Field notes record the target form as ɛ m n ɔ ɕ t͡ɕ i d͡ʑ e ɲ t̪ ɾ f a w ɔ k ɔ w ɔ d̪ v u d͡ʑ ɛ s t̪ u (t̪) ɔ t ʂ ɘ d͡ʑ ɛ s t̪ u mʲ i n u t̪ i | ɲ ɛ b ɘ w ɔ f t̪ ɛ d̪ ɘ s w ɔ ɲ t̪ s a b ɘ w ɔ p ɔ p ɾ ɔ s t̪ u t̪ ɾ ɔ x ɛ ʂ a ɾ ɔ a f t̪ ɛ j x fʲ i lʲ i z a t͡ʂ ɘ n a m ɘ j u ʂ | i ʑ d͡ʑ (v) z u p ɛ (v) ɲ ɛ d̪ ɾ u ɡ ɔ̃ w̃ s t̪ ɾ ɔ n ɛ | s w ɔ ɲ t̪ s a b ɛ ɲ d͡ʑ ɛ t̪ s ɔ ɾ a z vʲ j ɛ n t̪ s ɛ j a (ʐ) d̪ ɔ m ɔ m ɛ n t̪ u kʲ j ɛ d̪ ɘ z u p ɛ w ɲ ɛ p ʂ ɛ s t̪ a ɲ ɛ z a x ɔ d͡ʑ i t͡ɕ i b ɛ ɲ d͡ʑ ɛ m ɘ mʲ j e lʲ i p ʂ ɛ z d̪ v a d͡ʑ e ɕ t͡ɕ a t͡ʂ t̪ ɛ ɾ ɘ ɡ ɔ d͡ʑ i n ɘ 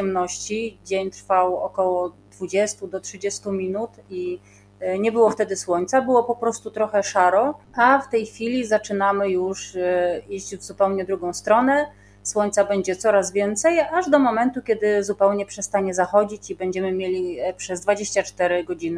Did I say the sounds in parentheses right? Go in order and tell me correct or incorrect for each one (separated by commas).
incorrect, correct, incorrect, correct